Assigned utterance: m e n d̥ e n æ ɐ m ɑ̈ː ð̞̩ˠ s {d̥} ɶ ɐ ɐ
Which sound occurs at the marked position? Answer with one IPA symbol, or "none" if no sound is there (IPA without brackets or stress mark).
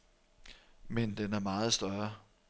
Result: d̥